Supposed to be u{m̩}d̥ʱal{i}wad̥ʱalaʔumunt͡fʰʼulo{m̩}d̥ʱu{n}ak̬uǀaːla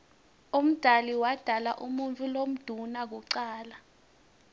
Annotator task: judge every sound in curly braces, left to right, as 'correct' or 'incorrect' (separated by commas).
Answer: correct, correct, correct, correct